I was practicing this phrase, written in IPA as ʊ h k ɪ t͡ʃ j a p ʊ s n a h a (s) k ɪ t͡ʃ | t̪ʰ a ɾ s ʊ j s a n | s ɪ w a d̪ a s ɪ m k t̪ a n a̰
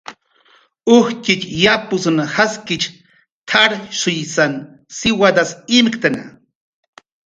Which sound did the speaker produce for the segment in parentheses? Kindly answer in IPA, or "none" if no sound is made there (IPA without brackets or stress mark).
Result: s